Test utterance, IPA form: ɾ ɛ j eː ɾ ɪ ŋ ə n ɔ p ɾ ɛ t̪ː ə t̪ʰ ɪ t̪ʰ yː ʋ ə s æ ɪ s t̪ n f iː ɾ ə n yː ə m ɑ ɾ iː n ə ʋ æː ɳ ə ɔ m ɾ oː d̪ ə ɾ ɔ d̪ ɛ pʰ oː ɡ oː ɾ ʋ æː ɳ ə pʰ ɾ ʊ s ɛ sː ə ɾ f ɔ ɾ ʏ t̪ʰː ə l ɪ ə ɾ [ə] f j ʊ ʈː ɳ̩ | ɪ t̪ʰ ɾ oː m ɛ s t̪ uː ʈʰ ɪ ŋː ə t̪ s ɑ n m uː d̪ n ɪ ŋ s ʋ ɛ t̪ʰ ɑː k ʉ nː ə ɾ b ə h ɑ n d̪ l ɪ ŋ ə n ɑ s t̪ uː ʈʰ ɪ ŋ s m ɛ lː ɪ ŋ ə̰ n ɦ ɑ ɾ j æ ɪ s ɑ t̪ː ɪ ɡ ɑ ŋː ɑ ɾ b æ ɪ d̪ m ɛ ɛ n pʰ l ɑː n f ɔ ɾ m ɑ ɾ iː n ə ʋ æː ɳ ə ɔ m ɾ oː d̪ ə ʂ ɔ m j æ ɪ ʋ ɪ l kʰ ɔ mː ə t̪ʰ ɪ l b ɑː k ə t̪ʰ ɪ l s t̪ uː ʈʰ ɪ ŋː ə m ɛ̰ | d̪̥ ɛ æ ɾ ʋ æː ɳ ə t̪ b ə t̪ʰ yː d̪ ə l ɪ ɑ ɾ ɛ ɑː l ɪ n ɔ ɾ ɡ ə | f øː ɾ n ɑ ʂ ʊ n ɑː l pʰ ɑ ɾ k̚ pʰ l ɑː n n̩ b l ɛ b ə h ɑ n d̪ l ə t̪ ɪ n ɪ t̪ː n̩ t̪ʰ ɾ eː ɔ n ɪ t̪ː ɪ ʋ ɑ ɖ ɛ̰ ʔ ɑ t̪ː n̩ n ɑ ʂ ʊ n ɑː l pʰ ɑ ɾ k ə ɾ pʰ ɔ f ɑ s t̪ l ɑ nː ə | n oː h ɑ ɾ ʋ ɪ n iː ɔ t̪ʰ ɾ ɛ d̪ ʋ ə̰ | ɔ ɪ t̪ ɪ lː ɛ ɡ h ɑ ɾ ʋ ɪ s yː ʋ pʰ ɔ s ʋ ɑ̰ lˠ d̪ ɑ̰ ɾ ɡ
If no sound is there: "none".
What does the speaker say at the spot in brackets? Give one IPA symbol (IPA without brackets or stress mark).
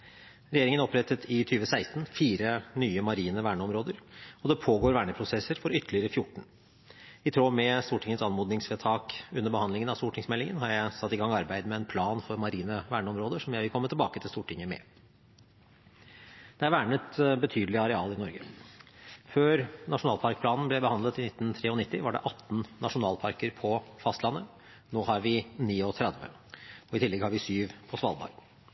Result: ə